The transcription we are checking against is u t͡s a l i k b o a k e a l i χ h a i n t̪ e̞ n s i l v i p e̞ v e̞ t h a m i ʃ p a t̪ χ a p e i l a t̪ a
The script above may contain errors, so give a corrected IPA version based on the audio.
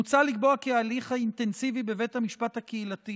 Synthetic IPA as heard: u t͡s a l i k b o a k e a l i χ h a i n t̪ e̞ n s i v i b e̞ v e̞ t h a m i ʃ p a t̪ h a k e i l a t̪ i